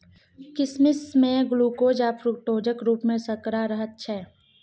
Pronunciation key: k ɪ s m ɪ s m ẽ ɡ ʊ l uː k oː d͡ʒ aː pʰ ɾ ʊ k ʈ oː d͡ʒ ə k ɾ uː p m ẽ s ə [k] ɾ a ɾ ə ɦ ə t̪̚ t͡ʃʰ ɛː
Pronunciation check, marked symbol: correct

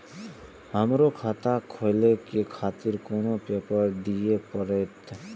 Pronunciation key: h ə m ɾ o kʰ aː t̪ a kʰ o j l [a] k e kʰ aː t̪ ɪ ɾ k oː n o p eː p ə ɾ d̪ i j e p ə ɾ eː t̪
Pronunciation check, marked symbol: incorrect: e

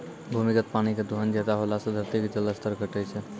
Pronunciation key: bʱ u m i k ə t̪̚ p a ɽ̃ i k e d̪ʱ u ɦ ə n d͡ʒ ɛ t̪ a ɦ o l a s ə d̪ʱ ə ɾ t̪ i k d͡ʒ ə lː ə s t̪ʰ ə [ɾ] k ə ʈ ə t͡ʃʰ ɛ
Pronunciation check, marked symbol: correct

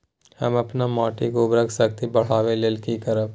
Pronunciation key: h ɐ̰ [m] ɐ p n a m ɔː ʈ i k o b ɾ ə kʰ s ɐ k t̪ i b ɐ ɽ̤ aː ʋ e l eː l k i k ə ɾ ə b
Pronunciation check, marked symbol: correct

